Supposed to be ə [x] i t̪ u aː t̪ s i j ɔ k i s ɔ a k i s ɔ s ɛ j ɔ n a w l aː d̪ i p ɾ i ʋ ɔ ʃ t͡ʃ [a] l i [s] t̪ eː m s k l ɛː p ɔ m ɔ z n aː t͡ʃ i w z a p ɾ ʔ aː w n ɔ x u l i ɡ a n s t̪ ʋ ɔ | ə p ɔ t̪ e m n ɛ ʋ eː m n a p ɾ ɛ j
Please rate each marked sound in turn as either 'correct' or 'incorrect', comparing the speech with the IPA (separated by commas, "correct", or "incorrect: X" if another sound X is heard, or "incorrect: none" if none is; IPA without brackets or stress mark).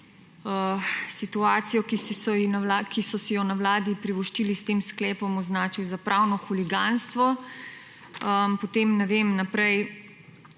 incorrect: s, incorrect: i, correct